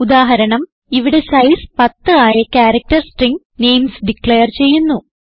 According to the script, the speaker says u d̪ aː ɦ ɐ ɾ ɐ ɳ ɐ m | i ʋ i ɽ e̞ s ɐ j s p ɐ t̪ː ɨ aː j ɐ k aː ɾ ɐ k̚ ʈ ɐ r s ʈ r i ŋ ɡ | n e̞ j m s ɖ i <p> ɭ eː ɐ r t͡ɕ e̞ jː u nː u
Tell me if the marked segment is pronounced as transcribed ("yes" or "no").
no